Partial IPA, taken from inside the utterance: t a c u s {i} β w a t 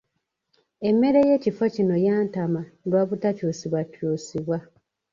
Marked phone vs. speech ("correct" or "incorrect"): correct